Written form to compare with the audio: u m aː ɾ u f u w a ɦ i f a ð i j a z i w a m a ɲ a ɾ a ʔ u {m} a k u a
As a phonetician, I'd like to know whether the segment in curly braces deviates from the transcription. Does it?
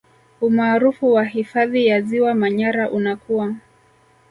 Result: yes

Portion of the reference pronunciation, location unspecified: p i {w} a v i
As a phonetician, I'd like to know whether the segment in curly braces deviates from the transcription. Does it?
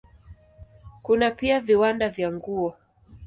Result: yes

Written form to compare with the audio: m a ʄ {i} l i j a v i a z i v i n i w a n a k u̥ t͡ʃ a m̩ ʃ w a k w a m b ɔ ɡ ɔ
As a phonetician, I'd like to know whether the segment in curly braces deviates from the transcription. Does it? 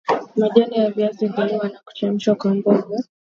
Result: yes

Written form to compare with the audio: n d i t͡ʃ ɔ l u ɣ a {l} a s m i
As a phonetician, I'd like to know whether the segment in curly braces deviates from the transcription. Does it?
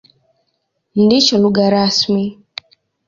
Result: yes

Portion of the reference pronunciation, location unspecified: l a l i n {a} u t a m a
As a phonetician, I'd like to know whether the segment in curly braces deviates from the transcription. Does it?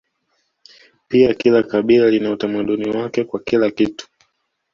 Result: no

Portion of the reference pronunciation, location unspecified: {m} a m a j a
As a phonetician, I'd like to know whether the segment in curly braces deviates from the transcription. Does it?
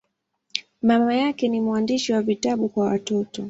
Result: no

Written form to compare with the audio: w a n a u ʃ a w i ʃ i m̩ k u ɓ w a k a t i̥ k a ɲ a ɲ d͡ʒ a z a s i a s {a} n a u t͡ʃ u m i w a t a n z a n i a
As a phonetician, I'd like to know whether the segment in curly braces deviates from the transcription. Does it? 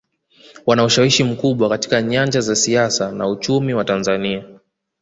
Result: no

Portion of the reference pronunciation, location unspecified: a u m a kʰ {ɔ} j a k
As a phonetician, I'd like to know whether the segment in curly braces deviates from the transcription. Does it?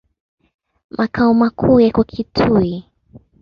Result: yes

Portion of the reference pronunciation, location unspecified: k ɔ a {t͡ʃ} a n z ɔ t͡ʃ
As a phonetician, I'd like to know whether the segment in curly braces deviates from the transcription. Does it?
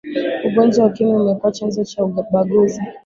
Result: no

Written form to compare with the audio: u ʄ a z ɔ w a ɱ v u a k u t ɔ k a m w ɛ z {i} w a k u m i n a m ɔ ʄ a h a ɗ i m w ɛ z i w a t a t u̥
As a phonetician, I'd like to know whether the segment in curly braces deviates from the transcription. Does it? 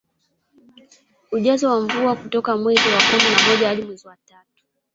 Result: no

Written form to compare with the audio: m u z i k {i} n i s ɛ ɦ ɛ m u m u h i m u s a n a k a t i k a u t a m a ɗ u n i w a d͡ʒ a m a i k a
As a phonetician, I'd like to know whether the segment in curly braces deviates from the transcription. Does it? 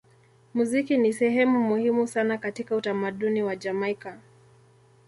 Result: no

